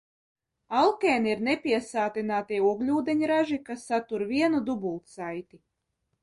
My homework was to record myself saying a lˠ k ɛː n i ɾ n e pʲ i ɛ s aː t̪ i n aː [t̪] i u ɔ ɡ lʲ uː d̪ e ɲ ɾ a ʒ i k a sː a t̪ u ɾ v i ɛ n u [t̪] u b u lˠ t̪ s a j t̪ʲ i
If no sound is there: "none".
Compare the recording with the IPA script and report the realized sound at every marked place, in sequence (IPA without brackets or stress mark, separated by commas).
t̪, d̪